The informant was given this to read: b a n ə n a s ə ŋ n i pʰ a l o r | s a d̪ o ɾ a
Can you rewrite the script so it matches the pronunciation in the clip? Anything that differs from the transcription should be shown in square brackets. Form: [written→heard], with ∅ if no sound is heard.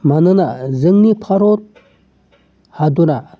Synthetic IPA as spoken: [b→m] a n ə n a [s→z] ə ŋ n i pʰ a [l→ɾ] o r | [s→h] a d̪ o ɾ a